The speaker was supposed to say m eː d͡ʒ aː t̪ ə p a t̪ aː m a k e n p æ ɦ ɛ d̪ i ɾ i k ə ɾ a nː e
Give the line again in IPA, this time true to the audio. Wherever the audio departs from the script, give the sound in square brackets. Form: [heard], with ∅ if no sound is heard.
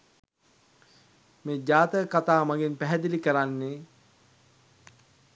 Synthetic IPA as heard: m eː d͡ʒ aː t̪ ə [k] a t̪ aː m a [ɡ] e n p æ ɦ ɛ d̪ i [l] i k ə ɾ a nː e